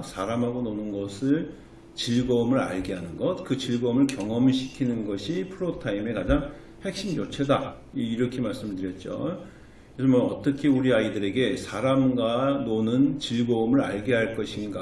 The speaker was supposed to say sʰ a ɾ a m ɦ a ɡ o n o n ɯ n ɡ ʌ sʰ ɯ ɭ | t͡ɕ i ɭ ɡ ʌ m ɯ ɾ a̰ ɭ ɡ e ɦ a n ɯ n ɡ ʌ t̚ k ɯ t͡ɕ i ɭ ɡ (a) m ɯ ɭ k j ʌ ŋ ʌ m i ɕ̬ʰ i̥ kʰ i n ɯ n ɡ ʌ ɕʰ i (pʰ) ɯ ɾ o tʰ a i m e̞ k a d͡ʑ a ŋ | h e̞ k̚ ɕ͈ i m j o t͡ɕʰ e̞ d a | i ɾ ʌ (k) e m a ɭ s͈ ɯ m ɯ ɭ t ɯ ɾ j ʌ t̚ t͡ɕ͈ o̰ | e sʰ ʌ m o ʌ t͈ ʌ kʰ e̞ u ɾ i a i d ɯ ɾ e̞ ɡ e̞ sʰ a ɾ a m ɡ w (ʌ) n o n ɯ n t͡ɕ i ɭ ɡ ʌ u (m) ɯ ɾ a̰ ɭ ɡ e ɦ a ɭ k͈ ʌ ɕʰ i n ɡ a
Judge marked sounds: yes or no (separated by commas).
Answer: no, yes, no, no, yes